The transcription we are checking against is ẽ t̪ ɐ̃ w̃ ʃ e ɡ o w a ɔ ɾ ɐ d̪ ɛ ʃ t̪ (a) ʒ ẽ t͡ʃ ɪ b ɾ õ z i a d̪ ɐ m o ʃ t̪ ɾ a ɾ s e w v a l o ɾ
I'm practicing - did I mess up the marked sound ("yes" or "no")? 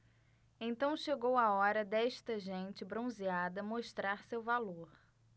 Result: yes